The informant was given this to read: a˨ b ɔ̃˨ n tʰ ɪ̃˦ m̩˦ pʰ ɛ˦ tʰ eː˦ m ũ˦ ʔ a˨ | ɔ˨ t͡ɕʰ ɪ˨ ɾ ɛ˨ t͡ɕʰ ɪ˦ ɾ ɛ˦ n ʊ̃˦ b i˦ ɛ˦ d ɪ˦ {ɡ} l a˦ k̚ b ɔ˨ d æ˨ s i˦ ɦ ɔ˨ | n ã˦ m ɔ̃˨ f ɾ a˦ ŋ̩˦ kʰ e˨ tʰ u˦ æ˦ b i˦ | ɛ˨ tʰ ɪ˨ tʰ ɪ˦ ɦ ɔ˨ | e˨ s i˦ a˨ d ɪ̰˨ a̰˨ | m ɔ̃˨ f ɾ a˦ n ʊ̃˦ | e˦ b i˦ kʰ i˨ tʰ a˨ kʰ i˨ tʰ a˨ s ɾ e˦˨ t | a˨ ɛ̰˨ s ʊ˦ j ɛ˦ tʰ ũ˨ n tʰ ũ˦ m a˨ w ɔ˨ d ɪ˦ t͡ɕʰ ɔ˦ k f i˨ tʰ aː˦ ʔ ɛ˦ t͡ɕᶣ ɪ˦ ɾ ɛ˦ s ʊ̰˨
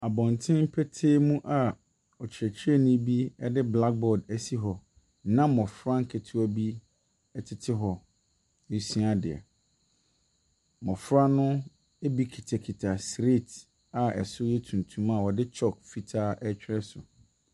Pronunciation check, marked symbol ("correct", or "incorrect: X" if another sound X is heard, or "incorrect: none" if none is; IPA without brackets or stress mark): incorrect: b